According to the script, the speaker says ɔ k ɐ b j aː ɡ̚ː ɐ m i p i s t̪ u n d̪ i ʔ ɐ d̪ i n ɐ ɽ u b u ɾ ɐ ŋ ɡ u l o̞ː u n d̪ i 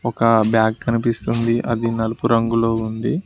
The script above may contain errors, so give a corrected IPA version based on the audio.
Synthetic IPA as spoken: ɔ k ɐ b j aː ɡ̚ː ɐ n i p i s t̪ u n d̪ i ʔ ɐ d̪ i n ɐ l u p u ɾ ɐ ŋ ɡ u l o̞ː u n d̪ i